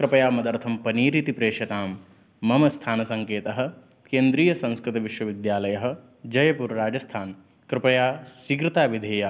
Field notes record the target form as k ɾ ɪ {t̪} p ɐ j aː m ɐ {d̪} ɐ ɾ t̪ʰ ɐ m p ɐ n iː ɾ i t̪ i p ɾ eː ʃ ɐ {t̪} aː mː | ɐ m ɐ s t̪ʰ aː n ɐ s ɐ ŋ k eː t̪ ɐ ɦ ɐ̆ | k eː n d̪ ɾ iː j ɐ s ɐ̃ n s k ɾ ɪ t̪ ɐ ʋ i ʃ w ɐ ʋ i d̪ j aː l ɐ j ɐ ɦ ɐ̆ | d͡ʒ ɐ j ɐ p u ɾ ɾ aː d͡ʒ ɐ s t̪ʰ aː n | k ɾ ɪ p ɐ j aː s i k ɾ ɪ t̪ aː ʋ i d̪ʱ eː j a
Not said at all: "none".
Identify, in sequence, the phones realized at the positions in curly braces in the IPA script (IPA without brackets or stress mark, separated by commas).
none, d̪, t̪